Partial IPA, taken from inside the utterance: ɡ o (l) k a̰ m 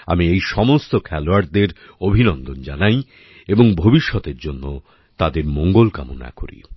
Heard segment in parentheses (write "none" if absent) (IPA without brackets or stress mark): l